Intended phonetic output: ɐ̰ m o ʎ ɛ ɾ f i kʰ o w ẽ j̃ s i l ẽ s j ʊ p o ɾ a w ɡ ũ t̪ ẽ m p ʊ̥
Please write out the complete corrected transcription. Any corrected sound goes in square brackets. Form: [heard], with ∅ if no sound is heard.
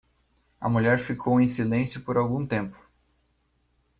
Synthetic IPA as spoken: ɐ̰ m [u] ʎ ɛ ɾ f i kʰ o w ẽ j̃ s i l ẽ s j ʊ p o ɾ a w ɡ ũ t̪ ẽ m p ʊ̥